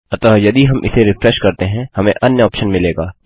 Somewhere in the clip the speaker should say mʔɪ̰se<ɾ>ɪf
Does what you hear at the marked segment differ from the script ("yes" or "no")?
no